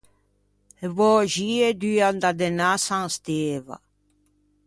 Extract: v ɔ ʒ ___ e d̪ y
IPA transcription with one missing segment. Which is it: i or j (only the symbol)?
i